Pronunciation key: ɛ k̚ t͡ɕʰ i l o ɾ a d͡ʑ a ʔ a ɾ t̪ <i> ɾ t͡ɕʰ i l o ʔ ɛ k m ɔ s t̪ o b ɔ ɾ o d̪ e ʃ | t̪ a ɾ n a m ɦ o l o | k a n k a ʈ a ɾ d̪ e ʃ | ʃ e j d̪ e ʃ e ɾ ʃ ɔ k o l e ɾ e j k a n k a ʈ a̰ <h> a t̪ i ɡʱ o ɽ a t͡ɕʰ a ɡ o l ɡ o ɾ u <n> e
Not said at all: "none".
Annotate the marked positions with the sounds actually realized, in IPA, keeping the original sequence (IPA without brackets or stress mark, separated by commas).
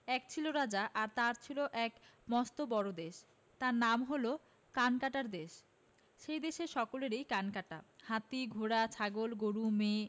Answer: a, h, m